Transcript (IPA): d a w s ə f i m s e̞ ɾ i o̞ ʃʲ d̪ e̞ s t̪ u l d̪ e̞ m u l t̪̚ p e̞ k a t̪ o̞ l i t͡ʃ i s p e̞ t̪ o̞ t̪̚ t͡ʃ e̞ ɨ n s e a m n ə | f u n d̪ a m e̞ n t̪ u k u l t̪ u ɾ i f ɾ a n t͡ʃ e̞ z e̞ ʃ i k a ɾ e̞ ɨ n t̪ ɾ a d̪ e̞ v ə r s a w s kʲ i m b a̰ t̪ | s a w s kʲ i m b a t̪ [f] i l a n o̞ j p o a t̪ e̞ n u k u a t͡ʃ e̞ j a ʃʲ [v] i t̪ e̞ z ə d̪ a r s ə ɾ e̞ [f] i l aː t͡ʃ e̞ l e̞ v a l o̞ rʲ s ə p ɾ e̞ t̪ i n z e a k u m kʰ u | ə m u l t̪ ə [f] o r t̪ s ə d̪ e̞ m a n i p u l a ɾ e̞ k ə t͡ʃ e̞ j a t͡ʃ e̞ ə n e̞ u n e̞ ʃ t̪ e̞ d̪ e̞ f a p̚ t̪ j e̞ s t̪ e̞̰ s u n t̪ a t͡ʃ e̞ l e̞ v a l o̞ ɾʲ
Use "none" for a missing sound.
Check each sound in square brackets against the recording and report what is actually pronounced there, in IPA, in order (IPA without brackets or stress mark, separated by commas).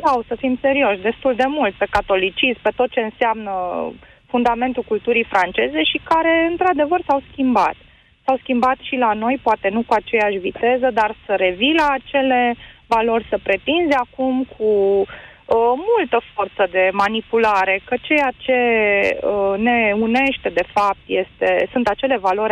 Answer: ʃ, v, v, f